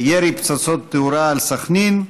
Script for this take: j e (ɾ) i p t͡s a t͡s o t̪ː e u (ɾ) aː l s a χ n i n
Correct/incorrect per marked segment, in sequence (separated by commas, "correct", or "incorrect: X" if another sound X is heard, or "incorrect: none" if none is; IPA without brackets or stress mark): correct, correct